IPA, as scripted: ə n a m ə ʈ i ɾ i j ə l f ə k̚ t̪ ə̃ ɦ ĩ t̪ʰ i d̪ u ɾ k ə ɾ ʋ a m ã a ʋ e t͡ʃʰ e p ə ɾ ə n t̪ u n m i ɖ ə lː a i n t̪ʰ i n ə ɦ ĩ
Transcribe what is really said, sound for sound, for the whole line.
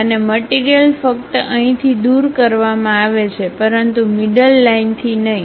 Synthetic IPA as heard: ə n e m ə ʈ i ɾ i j ə l f ə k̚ t̪ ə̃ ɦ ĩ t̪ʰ i d̪ u ɾ k ə ɾ ʋ a m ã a ʋ e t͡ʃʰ e p ə ɾ ə n t̪ u m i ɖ ə lː a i n t̪ʰ i n ə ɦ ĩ